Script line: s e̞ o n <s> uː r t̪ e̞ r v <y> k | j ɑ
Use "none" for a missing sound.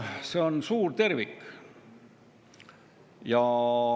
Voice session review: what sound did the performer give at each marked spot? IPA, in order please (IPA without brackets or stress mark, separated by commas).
s, i